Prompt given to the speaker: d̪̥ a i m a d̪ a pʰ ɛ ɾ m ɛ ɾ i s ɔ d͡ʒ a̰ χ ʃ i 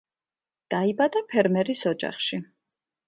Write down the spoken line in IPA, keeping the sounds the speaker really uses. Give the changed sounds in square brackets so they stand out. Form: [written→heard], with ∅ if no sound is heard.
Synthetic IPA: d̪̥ a i [m→b] a d̪ a pʰ ɛ ɾ m ɛ ɾ i s ɔ d͡ʒ a̰ χ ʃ i